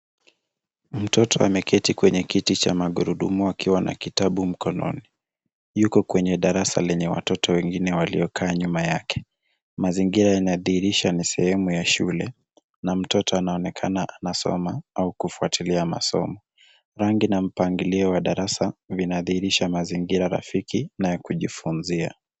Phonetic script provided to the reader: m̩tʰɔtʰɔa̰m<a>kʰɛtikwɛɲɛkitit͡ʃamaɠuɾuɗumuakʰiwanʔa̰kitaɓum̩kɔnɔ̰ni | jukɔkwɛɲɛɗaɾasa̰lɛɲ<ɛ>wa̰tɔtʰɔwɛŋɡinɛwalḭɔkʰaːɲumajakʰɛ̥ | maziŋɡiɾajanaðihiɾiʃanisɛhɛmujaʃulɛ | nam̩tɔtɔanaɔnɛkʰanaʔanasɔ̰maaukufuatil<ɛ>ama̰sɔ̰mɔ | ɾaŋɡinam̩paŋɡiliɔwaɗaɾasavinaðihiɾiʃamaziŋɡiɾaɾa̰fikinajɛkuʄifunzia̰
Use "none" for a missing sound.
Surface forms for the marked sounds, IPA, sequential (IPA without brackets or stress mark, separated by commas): ɛ, ɛ, i